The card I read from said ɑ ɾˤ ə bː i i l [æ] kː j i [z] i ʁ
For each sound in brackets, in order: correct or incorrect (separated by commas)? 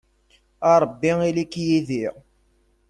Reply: incorrect, incorrect